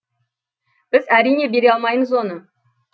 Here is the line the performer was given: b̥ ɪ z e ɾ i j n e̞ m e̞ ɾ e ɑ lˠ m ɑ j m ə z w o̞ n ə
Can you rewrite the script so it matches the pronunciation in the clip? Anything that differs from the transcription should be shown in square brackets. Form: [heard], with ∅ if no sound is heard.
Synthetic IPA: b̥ ɪ z [æ] ɾ i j n e̞ [b] e̞ ɾ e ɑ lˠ m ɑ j m ə z w o̞ n ə